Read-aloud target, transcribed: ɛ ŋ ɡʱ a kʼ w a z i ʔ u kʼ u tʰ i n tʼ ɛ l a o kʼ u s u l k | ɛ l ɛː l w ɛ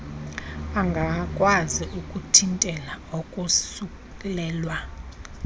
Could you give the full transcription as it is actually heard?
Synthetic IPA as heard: a ŋ ɡʱ a kʼ w a z i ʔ u kʼ u tʰ i n tʼ ɛ l a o kʼ u s u k | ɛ l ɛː l w a